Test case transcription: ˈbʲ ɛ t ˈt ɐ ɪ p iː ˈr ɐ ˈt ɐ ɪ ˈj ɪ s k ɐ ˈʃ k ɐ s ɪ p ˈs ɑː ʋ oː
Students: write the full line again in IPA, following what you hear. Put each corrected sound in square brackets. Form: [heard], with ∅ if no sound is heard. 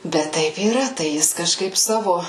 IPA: ˈbʲ ɛ t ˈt ɐ ɪ p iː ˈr ɐ ˈt ɐ ɪ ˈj ɪ s k ɐ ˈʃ k ɐ [∅] ɪ p ˈs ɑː ʋ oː